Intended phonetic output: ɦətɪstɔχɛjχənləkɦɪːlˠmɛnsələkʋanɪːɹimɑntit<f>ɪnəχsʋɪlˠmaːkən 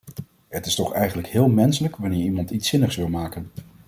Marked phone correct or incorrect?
incorrect